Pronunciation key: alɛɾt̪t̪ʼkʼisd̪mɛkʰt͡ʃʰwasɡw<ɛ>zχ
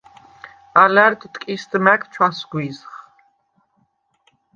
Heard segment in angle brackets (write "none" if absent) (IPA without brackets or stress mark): i